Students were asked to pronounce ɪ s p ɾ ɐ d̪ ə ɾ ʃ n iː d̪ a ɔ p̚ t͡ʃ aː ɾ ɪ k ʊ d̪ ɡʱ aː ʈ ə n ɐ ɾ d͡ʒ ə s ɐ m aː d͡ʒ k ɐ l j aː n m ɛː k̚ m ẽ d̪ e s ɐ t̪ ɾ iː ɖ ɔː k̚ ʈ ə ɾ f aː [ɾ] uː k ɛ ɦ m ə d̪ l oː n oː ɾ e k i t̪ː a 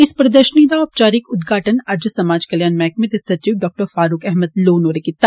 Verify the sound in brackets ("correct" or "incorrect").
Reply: correct